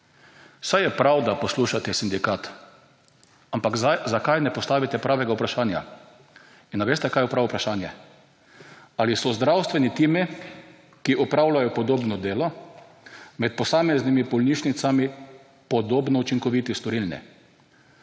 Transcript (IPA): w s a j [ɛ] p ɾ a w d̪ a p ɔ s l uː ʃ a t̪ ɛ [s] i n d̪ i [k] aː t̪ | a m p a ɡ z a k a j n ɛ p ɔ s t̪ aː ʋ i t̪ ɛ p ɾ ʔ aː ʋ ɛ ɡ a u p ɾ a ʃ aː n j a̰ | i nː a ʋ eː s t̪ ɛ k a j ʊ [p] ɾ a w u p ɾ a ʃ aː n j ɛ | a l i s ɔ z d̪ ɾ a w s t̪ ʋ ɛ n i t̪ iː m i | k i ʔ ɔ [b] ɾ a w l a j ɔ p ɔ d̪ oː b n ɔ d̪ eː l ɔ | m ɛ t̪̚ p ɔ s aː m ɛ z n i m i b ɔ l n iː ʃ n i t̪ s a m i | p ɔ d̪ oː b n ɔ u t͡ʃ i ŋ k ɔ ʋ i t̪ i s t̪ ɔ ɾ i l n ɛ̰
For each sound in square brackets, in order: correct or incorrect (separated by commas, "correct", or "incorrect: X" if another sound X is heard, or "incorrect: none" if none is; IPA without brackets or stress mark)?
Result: correct, correct, correct, correct, incorrect: p